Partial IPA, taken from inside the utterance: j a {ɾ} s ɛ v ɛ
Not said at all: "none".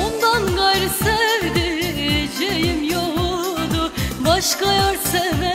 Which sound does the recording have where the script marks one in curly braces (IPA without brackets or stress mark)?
ɾ